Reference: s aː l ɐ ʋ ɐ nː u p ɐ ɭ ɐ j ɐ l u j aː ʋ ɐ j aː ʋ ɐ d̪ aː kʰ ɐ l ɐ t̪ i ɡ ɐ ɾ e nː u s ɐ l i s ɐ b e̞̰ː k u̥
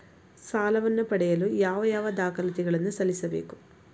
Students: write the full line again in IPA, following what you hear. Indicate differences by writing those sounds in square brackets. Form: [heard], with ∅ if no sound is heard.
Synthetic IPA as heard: s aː l ɐ ʋ ɐ nː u p ɐ [ɽ] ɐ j ɐ l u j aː ʋ ɐ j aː ʋ ɐ d̪ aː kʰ ɐ l ɐ t̪ i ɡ ɐ [ɭ] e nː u s ɐ l i s ɐ b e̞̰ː k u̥